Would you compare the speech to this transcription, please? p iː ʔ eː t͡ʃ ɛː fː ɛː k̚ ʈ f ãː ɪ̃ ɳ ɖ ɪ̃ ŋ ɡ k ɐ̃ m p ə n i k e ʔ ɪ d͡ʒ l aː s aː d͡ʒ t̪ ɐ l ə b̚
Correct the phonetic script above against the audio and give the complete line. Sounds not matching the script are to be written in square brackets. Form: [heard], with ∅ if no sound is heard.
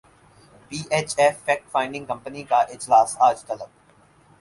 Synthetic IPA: p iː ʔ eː t͡ʃ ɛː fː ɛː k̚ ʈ f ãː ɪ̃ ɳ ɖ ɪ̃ ŋ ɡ k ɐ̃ m p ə n i k [a] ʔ ɪ d͡ʒ l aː s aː d͡ʒ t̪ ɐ l ə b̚